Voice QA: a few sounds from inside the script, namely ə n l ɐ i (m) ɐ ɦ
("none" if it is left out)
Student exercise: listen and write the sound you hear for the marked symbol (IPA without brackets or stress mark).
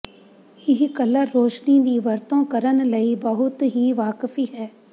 b